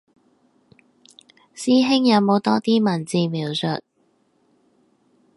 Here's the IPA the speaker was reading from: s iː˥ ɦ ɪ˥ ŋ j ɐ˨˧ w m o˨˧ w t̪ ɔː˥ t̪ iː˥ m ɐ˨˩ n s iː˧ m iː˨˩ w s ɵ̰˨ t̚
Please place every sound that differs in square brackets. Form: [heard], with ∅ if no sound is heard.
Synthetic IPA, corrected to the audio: s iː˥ ɦ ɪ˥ ŋ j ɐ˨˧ w m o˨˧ w t̪ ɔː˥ t̪ iː˥ m ɐ˨˩ n [t͡s] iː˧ m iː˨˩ w s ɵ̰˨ t̚

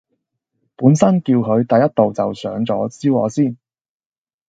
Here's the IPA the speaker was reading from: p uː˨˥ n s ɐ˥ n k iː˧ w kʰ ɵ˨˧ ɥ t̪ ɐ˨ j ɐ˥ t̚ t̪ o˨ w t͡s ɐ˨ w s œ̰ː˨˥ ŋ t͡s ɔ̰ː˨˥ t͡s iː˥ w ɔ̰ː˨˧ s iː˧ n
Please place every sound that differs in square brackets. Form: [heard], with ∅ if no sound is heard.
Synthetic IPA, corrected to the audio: p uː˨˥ n s ɐ˥ n k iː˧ w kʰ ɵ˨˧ ɥ t̪ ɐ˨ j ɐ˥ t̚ t̪ o˨ w t͡s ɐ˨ w s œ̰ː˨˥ ŋ t͡s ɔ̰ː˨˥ t͡s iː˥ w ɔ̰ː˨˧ s [iː˥˩] n

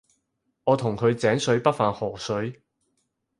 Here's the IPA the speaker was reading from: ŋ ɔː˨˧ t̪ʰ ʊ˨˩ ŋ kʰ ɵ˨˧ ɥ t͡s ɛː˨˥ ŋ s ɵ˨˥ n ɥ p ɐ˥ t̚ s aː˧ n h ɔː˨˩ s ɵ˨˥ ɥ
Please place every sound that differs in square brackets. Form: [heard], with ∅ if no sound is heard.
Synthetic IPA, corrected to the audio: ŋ ɔː˨˧ t̪ʰ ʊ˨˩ ŋ kʰ ɵ˨˧ ɥ t͡s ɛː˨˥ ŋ s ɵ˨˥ [∅] ɥ p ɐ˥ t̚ [f] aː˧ n h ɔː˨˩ s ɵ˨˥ ɥ

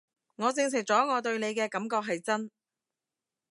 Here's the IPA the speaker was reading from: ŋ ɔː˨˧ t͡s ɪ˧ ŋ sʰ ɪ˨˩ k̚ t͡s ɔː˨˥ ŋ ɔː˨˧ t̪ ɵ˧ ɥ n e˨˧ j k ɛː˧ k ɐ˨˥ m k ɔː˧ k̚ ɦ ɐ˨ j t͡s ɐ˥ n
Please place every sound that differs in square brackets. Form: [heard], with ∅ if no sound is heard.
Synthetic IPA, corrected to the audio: ŋ ɔː˨˧ t͡s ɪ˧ ŋ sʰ ɪ˨˩ k̚ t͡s ɔː˨˥ ŋ ɔː˨˧ t̪ ɵ˧ ɥ n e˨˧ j k ɛː˧ k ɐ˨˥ m k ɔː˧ k̚ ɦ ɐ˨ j t͡s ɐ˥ n

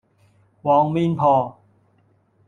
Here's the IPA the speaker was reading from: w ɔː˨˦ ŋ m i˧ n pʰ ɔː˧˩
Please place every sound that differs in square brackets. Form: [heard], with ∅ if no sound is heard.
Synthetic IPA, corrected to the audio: w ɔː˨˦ ŋ m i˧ n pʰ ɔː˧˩

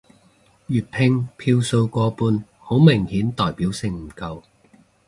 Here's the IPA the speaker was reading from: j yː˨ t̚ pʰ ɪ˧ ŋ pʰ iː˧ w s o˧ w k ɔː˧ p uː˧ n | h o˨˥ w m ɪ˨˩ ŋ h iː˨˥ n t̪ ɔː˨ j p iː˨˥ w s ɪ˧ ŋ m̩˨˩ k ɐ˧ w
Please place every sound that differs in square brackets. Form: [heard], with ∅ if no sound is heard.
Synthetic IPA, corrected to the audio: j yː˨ t̚ pʰ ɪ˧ ŋ pʰ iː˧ w s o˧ w k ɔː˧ p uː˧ n | h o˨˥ w m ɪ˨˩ ŋ h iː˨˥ n t̪ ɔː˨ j p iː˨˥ w s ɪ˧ ŋ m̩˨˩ k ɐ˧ w

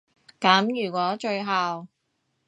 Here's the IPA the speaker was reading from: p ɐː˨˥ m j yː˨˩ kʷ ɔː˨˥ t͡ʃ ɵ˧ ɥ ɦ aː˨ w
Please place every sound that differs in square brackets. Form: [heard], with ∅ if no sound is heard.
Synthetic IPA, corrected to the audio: [k] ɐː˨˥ m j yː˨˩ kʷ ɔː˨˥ t͡ʃ ɵ˧ ɥ ɦ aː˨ w

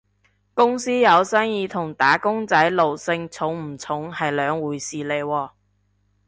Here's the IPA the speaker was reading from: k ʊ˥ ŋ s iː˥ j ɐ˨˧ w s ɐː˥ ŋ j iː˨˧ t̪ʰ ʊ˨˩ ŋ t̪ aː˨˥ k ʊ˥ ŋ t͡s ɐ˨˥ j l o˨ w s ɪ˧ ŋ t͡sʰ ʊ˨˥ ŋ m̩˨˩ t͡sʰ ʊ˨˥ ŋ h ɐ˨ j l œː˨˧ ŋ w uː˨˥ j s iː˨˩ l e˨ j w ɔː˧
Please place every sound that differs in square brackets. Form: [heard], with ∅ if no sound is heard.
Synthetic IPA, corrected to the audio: k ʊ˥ ŋ s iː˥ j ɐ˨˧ w s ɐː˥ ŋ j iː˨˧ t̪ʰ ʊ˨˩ ŋ t̪ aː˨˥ k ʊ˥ ŋ t͡s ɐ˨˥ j l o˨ w s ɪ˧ ŋ t͡sʰ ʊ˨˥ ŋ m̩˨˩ t͡sʰ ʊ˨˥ ŋ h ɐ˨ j l œː˨˧ ŋ w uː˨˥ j s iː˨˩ l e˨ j w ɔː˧

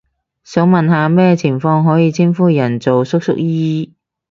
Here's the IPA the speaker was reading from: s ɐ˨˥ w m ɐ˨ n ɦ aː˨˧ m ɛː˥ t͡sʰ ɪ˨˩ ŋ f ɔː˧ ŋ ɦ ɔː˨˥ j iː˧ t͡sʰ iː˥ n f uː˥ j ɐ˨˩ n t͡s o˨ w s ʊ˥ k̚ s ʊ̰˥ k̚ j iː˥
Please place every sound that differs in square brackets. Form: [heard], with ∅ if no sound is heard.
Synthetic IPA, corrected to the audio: s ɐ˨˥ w m ɐ˨ n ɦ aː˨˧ m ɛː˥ t͡sʰ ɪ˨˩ ŋ f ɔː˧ ŋ ɦ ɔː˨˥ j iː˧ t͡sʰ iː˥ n f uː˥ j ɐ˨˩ n t͡s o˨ w s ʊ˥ k̚ s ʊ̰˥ k̚ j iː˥

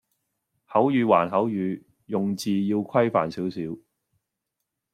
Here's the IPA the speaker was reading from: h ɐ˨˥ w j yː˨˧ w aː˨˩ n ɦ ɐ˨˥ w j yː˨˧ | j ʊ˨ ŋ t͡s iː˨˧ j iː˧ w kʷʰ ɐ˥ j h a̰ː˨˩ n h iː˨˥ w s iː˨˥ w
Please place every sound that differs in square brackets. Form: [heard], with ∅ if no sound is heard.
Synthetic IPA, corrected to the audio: h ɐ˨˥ w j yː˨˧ w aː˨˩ n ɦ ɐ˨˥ w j yː˨˧ | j ʊ˨ ŋ t͡s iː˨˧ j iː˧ w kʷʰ ɐ˥ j [f] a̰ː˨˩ n [s] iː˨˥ w s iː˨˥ w

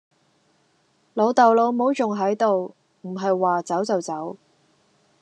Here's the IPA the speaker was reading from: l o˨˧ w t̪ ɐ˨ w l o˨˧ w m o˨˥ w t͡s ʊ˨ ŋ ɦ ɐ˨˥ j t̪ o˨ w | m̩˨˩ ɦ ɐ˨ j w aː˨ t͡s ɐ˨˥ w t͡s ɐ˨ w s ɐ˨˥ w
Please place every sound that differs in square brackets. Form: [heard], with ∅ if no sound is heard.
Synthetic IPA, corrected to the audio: l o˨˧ w t̪ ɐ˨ w l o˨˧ w m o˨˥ w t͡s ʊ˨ ŋ ɦ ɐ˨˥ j t̪ o˨ w | m̩˨˩ ɦ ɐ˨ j w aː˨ t͡s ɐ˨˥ w t͡s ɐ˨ w [t͡s] ɐ˨˥ w

